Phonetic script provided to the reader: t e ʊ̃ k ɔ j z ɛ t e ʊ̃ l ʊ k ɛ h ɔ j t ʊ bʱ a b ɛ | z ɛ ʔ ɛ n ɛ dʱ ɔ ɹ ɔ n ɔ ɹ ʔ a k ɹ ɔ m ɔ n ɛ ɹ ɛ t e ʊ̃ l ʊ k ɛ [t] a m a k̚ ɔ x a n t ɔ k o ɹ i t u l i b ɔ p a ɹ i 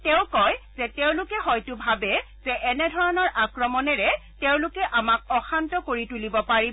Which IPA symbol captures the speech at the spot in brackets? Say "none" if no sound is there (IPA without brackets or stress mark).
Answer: ʔ